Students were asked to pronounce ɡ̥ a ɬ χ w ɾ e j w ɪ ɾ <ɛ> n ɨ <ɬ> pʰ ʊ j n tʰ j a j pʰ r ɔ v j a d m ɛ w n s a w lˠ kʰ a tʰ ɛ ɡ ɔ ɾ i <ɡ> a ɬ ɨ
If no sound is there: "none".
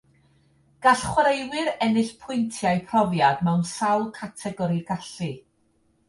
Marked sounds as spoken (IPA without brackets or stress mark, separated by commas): ɛ, ɬ, ɡ